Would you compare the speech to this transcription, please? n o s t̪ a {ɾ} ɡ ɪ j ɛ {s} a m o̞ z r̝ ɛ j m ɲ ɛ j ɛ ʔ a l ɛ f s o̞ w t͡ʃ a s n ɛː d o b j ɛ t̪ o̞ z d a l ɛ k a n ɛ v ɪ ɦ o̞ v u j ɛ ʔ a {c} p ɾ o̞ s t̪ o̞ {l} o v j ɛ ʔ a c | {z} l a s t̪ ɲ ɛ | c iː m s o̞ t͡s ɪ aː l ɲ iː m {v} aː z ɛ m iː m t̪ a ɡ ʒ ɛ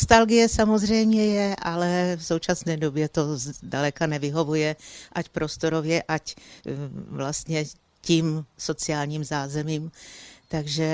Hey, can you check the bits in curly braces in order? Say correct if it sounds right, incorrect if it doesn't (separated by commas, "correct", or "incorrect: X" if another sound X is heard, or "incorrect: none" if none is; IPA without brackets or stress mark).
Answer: incorrect: l, correct, correct, incorrect: ɾ, incorrect: v, incorrect: z